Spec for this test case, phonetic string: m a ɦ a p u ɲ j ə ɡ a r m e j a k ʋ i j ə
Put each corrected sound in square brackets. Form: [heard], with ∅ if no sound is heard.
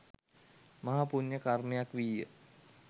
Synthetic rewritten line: m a ɦ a p u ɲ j ə [k] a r m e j a k ʋ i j ə